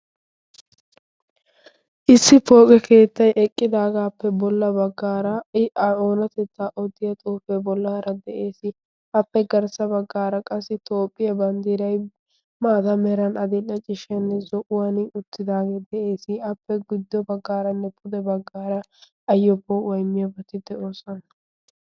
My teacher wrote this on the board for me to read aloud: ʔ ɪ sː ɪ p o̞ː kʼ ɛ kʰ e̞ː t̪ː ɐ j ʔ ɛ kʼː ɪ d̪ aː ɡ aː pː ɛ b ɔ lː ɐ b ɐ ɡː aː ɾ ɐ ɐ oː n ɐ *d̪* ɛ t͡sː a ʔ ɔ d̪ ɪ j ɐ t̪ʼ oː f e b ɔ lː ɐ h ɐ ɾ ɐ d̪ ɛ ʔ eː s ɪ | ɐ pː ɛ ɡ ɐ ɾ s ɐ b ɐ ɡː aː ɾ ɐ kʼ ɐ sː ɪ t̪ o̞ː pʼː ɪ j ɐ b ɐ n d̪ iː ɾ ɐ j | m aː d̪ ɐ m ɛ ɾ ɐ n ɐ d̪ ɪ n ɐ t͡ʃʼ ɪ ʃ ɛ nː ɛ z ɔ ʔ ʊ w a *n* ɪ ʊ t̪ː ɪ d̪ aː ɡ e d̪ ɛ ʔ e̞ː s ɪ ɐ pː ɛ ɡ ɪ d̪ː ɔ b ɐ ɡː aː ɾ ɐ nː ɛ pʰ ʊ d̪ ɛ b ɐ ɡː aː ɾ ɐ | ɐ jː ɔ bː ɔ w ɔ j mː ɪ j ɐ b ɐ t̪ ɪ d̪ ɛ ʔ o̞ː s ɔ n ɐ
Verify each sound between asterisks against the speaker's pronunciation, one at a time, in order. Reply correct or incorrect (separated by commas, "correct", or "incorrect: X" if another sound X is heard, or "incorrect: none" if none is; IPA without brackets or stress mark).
incorrect: t̪, correct